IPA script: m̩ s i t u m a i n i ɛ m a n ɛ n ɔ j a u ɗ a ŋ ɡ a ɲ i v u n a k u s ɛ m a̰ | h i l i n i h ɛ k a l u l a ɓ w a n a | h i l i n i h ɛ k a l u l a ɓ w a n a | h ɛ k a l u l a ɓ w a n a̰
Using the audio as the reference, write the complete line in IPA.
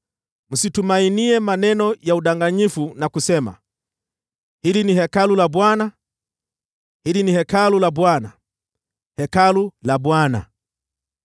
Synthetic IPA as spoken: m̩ s i t u m a i n i ɛ m a n ɛ n ɔ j a u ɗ a ŋ ɡ a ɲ i f u n a k u s ɛ m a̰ | h i l i n i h ɛ k a l u l a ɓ w a n a | h i l i n i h ɛ k a l u l a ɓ w a n a | h ɛ k a l u l a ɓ w a n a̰